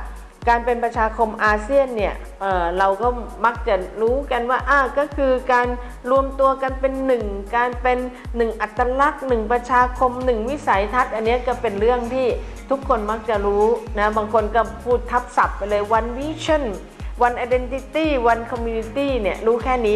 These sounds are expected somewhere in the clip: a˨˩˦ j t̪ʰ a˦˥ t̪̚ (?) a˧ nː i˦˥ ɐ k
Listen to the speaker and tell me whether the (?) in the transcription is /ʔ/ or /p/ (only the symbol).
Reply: ʔ